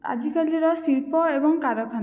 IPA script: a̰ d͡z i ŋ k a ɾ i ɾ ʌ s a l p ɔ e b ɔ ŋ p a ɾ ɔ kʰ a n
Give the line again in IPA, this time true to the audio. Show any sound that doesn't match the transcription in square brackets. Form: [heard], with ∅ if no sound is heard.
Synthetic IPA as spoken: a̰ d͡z i [∅] k a [l] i ɾ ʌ s [i] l p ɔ e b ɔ ŋ [k] a ɾ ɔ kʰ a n